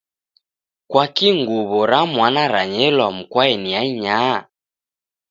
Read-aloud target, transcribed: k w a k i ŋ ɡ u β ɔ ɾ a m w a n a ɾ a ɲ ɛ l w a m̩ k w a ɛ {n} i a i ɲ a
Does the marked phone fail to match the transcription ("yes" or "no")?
no